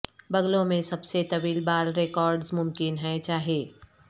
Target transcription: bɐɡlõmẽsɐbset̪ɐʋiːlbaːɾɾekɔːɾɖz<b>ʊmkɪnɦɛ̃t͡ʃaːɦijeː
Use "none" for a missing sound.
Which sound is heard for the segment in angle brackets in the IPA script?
m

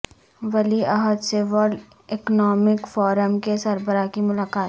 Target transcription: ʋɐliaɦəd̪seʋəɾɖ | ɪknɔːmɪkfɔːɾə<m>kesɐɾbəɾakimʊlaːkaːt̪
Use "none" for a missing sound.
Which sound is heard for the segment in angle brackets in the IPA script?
m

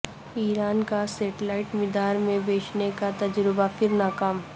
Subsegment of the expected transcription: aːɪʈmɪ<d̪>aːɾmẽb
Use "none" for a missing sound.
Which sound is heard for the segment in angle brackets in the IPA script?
d̪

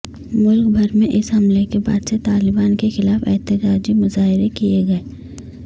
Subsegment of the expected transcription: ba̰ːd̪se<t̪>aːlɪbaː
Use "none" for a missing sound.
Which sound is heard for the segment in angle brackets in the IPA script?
t̪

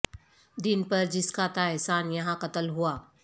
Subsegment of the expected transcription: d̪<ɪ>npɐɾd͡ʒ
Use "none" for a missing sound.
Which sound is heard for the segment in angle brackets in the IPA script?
ɪ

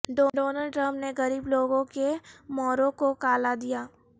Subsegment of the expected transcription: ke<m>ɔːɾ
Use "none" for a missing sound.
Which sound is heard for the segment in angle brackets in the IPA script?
m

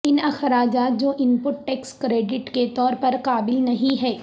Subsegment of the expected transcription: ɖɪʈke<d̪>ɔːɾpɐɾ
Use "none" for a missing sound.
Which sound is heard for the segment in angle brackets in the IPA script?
t̪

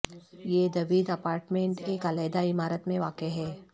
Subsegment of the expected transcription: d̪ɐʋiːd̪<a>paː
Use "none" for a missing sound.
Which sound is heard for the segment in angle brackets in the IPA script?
ɐ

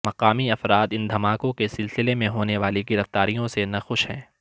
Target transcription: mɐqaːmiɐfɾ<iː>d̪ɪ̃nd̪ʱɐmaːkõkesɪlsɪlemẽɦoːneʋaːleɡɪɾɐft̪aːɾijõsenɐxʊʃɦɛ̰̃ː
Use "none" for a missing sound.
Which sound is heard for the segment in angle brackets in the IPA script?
aː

